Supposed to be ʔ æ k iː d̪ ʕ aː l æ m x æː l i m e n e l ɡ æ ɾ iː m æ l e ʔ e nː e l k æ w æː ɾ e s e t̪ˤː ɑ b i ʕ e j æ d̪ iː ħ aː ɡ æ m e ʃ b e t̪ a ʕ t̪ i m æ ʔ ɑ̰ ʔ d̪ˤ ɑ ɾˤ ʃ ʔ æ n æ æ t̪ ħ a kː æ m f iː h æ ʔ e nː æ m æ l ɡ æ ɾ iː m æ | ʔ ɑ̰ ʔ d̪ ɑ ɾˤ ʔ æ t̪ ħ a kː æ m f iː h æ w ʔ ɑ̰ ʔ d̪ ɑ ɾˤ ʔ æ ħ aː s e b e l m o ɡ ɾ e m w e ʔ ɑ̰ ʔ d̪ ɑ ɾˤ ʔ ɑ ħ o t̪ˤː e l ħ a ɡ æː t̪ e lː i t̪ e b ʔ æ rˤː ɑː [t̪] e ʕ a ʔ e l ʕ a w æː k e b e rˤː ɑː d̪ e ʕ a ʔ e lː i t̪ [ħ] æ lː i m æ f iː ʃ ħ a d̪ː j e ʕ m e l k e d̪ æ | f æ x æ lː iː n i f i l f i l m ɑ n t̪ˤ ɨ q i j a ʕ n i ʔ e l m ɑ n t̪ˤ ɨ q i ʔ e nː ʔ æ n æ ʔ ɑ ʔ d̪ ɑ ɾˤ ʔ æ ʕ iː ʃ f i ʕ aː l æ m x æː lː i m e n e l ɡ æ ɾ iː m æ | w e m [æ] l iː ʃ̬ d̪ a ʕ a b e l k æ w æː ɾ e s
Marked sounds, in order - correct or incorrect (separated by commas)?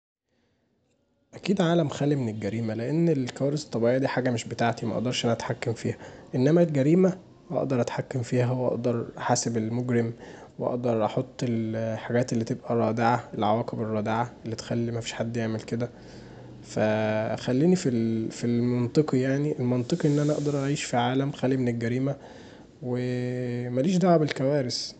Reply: incorrect, incorrect, correct